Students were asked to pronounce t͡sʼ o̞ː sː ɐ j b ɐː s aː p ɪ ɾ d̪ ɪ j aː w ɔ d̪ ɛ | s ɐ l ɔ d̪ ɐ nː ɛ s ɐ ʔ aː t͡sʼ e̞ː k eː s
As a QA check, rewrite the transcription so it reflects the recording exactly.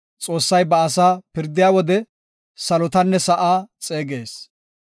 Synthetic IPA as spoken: t͡sʼ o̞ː sː ɐ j b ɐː s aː p ɪ ɾ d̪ ɪ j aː w ɔ d̪ ɛ | s ɐ l ɔ t̪ ɐ nː ɛ s ɐ ʔ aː t͡sʼ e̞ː ɡ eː s